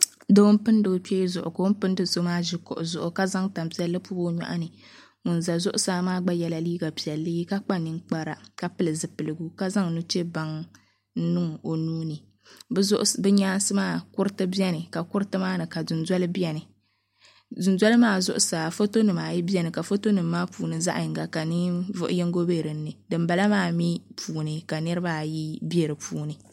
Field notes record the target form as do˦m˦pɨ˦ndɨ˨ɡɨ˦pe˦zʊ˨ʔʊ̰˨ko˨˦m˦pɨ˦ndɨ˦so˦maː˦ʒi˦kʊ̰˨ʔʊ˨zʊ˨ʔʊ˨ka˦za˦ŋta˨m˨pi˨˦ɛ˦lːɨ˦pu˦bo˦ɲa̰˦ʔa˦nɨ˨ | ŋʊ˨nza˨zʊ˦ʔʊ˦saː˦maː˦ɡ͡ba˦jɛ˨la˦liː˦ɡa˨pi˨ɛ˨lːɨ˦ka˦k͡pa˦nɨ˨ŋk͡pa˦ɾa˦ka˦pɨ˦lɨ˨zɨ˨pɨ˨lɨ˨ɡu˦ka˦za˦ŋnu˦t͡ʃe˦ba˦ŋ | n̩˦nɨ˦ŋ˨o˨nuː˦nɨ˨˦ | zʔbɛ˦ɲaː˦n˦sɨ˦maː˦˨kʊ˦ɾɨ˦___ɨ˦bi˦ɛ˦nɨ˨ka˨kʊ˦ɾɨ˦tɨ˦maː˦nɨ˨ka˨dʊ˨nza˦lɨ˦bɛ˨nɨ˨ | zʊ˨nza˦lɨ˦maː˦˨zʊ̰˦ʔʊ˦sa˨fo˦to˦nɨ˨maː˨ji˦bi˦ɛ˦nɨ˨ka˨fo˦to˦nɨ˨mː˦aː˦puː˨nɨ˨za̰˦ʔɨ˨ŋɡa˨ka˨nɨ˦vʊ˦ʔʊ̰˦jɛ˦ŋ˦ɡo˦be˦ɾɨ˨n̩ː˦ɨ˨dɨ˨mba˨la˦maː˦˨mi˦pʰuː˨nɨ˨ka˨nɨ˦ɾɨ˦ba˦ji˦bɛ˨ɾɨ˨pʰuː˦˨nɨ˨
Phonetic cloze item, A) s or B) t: B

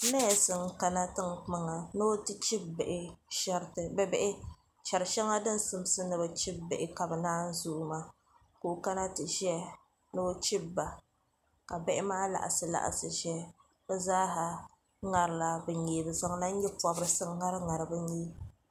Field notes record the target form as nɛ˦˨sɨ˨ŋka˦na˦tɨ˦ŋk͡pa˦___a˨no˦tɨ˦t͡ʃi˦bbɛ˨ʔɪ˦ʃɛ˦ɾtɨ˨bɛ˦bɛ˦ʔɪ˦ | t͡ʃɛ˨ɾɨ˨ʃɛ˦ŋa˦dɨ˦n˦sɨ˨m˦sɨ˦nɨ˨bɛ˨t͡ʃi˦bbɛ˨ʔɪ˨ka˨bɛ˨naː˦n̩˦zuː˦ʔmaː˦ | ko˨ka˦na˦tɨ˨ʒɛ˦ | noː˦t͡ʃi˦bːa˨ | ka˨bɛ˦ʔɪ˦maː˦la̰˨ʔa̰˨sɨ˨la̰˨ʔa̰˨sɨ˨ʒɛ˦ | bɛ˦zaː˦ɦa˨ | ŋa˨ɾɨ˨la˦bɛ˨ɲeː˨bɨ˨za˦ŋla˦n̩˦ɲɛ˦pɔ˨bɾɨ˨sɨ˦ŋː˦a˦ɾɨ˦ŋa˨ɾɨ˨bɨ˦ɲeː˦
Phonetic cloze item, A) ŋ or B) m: A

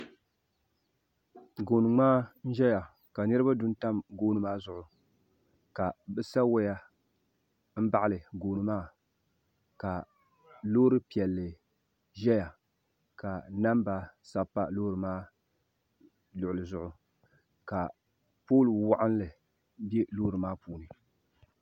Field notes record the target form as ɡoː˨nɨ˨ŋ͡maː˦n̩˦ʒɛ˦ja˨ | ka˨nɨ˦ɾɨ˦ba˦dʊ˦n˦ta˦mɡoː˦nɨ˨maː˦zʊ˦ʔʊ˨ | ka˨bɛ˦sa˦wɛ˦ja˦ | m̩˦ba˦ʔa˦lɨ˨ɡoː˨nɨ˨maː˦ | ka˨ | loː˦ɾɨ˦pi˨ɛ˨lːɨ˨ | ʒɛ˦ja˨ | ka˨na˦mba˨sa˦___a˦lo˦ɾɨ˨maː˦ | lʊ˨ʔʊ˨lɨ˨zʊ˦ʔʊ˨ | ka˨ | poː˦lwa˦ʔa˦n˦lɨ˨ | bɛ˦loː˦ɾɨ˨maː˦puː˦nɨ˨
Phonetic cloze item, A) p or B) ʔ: A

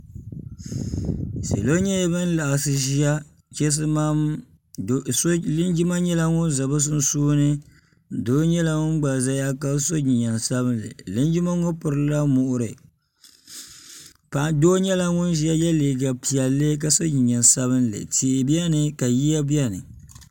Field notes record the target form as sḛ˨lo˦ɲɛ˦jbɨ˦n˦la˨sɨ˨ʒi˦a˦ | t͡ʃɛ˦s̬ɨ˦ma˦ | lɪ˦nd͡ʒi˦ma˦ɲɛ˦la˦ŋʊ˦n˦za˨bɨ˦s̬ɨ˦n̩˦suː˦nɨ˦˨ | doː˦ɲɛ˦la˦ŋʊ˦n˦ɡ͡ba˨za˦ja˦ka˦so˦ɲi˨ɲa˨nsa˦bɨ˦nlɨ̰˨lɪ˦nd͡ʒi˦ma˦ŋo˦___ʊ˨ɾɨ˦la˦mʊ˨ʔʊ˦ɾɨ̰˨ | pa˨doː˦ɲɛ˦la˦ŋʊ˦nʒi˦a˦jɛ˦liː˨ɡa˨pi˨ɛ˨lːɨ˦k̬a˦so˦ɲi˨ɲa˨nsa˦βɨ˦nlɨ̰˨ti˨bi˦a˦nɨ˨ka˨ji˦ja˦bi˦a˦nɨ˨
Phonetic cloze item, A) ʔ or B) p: B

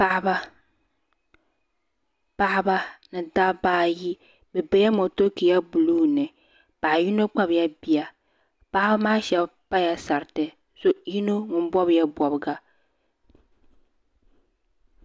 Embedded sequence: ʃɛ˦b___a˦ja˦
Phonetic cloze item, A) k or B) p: B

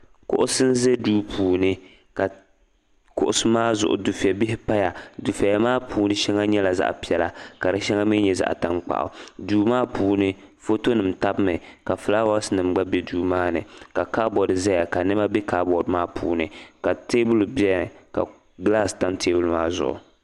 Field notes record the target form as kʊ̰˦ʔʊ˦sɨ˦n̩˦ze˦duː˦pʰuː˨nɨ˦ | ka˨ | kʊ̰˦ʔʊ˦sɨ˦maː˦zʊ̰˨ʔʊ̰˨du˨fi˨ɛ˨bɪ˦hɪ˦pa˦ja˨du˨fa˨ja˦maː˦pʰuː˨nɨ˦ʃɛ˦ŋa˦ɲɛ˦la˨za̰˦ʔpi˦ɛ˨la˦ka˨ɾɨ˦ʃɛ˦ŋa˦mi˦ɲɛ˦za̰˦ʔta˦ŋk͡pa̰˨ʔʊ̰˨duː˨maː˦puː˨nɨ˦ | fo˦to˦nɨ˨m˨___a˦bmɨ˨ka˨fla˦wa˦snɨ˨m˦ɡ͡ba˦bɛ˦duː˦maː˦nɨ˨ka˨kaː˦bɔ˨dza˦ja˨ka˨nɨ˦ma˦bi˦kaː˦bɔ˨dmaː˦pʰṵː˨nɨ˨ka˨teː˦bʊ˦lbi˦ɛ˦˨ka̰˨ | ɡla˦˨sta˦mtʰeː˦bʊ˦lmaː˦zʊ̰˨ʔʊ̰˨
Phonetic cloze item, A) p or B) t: B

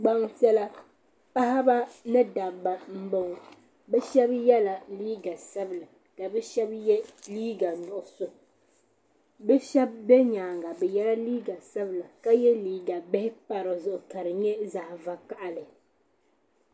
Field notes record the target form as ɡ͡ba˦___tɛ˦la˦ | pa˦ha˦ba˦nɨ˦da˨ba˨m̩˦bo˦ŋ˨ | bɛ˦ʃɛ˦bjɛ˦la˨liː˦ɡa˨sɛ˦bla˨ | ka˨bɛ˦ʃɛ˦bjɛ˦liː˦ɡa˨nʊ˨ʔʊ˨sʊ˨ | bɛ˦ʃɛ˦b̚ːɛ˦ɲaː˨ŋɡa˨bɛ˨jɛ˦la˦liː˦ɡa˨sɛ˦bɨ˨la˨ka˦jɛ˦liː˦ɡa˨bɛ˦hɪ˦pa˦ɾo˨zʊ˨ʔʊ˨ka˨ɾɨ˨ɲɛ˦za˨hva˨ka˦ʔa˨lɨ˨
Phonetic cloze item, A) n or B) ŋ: B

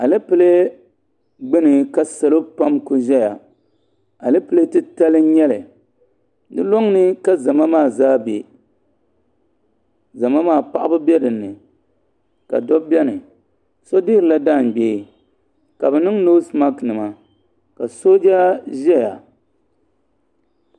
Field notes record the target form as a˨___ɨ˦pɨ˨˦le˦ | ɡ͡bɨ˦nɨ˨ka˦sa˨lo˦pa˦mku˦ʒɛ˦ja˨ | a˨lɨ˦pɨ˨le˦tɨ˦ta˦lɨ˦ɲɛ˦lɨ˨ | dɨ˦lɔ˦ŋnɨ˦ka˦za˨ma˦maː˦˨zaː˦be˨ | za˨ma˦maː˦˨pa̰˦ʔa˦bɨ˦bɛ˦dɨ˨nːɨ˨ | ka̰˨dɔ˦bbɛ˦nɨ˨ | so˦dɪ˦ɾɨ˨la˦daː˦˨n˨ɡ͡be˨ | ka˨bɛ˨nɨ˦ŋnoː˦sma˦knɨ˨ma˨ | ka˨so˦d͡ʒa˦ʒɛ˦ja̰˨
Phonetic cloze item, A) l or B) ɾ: A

